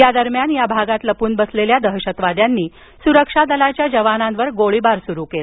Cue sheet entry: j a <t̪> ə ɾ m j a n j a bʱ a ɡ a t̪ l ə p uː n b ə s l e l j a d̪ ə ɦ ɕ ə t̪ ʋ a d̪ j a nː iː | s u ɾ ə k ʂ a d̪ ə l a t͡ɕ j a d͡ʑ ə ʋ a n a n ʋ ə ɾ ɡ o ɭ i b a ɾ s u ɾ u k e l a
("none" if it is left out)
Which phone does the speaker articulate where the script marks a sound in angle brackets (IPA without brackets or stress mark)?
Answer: d̪